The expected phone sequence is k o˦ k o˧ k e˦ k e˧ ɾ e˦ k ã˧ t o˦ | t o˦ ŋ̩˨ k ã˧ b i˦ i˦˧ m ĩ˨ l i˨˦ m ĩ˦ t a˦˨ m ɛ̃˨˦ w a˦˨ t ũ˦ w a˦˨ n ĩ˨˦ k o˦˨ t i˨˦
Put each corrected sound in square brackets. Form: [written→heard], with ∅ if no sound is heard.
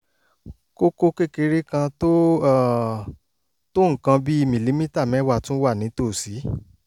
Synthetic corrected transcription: k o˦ k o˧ k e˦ k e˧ ɾ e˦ k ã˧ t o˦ | t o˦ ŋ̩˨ k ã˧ b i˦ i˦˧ m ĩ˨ l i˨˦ m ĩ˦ t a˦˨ m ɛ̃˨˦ w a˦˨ t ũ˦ w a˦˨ n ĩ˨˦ [k→t] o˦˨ [t→s] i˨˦